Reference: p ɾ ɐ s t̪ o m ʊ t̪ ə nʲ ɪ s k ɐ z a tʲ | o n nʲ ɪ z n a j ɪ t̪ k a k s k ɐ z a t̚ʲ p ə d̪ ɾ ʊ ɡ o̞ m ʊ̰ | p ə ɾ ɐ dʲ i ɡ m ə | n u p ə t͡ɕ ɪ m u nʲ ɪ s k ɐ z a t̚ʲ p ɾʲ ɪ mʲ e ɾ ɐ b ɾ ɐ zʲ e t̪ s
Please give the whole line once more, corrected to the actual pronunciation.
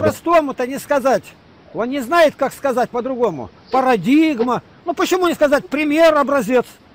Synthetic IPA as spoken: p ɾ ɐ s t̪ o m ʊ t̪ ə nʲ ɪ s k ɐ z a tʲ | o n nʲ ɪ z n a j ɪ t̪ k a k s k ɐ z a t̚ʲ p ə d̪ ɾ ʊ ɡ o̞ m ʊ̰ | p ə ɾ ɐ dʲ i ɡ m ə | n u p ə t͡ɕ ɪ m u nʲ ɪ s k ɐ z a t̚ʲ p ɾʲ ɪ mʲ e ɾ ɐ b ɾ ɐ zʲ e t̪ s

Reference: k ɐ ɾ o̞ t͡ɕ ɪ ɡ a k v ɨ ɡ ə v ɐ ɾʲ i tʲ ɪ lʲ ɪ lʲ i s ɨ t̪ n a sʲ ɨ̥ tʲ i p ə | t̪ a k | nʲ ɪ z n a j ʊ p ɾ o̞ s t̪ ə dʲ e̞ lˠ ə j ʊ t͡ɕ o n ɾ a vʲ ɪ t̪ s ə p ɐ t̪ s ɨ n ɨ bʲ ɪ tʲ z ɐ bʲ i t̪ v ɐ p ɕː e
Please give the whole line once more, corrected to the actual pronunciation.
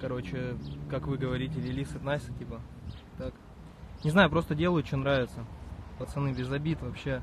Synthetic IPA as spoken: k ɐ ɾ o̞ t͡ɕ ɪ k a k v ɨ ɡ ə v ɐ ɾʲ i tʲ ɪ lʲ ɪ lʲ i s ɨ t̪ n a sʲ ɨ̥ tʲ i p ə | t̪ a k | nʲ ɪ z n a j ʊ p ɾ o̞ s t̪ ə dʲ e̞ lˠ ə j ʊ t͡ɕ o n ɾ a vʲ ɪ t̪ s ə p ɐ t̪ s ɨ n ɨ bʲ ɪ z ɐ bʲ i t̪ v ɐ p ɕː e

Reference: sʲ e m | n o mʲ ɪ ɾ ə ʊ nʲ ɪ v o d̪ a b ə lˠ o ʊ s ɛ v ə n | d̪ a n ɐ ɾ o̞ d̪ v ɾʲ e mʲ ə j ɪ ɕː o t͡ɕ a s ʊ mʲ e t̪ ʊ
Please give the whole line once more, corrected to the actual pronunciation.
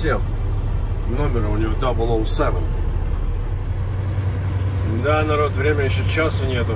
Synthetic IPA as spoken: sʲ e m | n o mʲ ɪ ɾ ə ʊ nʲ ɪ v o d̪ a b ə lˠ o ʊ s ɛ v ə n | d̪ a n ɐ ɾ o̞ t̪ v ɾʲ e mʲ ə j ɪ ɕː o t͡ɕ a s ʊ nʲ e t̪ ʊ

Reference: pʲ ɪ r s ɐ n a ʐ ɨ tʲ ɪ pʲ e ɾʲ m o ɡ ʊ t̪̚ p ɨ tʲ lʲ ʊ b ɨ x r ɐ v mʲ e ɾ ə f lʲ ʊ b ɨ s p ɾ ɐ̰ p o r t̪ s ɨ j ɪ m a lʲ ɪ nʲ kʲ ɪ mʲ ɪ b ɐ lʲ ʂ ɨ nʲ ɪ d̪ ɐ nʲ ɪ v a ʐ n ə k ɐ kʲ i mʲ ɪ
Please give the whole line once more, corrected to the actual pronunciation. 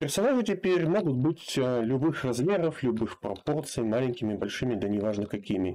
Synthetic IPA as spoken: pʲ ɪ r s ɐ n a ʐ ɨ tʲ ɪ pʲ e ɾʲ m o ɡ ʊ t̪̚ b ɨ tʲ lʲ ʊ b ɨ x r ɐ z mʲ e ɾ ə f lʲ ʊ b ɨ x p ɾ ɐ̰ p o r t̪ s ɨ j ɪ m a lʲ ɪ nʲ kʲ ɪ mʲ ɪ b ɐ lʲ ʂ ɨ mʲ ɪ d̪ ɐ nʲ ɪ v a ʐ n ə k ɐ kʲ i mʲ ɪ

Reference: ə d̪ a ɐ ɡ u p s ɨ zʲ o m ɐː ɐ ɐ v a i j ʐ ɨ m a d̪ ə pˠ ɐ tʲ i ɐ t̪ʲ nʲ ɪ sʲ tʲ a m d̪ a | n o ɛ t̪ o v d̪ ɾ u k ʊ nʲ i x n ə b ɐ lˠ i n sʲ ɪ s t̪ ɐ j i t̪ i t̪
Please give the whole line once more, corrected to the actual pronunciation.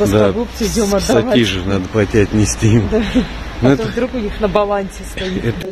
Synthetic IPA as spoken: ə d̪ a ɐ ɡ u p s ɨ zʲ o m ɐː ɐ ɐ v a i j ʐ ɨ n a d̪ ə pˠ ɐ tʲ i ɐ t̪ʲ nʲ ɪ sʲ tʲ i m d̪ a | n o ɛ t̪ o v d̪ ɾ u k ʊ nʲ i x n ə b ɐ lˠ a n sʲ ɪ s t̪ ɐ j i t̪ ɛ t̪

